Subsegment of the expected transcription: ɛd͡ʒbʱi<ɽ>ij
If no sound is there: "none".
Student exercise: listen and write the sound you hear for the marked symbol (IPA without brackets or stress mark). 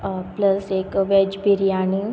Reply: ɾ